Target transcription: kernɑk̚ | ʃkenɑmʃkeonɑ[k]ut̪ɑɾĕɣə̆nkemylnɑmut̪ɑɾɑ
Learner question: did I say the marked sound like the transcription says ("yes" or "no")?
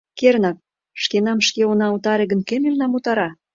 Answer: no